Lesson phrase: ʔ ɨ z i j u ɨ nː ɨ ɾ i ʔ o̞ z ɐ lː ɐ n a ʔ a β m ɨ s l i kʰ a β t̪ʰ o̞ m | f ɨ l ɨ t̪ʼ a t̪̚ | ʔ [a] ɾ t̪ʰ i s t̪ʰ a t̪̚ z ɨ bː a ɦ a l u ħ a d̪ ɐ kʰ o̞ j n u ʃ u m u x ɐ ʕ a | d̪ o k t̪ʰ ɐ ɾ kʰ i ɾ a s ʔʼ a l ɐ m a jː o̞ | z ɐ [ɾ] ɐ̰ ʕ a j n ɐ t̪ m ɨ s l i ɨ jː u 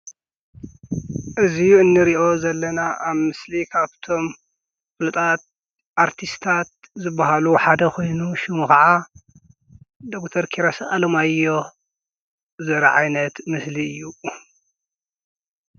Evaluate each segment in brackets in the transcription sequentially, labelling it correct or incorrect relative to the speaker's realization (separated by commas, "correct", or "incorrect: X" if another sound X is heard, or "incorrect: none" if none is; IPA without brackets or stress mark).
correct, correct